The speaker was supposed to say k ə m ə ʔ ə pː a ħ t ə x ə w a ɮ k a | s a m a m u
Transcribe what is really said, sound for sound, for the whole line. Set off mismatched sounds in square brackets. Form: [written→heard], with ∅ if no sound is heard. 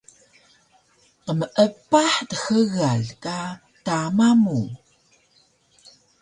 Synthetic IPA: [k→q] ə m ə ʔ ə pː a ħ t ə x ə [w→ɣ] a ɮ k a | [s→t] a m a m u